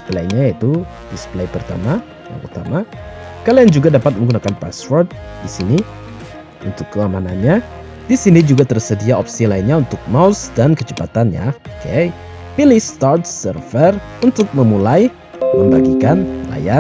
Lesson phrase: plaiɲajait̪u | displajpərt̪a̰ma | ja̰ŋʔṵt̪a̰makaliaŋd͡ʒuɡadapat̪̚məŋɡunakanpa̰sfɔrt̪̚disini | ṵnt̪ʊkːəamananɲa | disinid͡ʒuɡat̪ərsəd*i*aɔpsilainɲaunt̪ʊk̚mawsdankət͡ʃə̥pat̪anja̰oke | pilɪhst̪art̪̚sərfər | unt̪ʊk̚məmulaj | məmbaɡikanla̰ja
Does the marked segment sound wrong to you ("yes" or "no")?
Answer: no